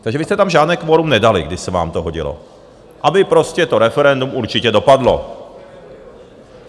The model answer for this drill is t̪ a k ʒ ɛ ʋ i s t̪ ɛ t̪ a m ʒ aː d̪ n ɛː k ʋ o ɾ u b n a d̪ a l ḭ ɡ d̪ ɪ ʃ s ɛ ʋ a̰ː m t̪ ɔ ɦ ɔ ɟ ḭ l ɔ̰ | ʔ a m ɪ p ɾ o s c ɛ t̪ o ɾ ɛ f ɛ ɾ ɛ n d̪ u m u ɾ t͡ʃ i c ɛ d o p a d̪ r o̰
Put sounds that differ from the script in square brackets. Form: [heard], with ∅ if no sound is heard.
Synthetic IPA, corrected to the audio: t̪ a [ɡ] ʒ ɛ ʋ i s t̪ ɛ t̪ a m ʒ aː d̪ n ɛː k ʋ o ɾ u [m] n [ɛ] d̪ a l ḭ ɡ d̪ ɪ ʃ s ɛ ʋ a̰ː m t̪ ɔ ɦ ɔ ɟ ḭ l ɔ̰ | ʔ a [b] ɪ p ɾ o s c ɛ t̪ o ɾ ɛ f ɛ ɾ ɛ n d̪ u m u ɾ t͡ʃ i c ɛ d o p a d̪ [l] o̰

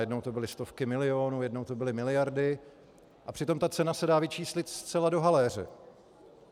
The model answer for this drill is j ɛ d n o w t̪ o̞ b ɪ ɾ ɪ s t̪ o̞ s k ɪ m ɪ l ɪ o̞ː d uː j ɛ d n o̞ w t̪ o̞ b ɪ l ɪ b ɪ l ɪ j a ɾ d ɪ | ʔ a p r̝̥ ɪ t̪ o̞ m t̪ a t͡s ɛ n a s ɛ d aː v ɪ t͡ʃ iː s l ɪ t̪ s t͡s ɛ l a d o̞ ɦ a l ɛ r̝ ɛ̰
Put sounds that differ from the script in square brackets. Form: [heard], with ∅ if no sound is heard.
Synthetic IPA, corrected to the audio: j ɛ d n o w t̪ o̞ b ɪ [l] ɪ s t̪ o̞ [f] k ɪ m ɪ l ɪ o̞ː [n] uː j ɛ d n o̞ w t̪ o̞ b ɪ l ɪ [m] ɪ l ɪ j a ɾ d ɪ | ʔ a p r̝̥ ɪ t̪ o̞ m t̪ a t͡s ɛ n a s ɛ d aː v ɪ t͡ʃ iː s l ɪ t̪ s t͡s ɛ l a d o̞ ɦ a l ɛ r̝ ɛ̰

